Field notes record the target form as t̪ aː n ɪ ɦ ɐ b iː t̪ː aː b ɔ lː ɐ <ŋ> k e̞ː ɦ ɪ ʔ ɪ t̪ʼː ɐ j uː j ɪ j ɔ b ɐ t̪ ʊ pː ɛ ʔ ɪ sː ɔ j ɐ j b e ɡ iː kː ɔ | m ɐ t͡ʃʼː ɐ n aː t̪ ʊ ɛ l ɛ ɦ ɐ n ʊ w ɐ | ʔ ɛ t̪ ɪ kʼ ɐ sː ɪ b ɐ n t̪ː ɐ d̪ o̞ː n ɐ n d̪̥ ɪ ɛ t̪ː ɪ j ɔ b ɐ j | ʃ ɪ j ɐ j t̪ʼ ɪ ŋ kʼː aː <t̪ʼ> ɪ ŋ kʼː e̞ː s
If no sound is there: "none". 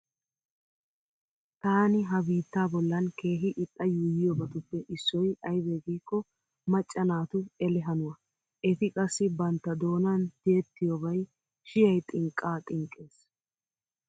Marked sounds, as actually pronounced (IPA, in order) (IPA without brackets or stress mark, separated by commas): n, t̪ʼ